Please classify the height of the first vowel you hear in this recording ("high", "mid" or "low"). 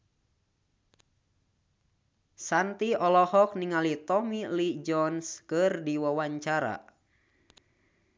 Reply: low